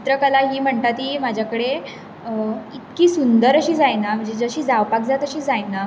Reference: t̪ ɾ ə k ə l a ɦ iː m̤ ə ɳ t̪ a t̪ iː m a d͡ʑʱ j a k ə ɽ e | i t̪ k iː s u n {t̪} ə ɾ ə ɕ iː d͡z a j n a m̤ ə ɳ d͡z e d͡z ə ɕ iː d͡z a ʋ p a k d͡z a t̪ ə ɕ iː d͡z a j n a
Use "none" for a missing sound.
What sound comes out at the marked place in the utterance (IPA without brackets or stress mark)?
d̪